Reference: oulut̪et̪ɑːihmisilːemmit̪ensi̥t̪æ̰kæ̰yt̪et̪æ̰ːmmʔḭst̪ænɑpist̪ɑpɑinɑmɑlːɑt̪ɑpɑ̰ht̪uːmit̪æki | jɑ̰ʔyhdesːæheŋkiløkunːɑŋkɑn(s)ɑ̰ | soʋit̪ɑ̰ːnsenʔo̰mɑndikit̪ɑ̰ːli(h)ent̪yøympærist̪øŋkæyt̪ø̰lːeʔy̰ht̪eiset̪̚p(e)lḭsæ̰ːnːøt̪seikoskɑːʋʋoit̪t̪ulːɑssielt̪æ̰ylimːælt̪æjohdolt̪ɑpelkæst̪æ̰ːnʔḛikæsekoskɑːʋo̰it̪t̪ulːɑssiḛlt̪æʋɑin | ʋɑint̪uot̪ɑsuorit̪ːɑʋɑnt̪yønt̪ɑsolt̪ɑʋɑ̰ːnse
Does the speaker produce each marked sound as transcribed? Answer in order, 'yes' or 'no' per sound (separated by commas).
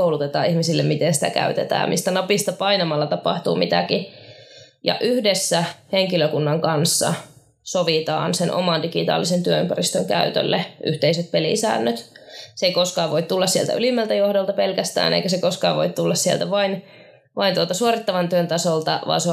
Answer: no, no, yes